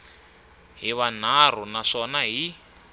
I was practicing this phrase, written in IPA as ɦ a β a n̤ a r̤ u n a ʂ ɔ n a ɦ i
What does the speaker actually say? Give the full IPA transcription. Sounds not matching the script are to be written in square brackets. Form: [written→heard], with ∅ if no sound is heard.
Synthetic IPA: ɦ [a→i] β a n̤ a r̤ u n a ʂ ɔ n a ɦ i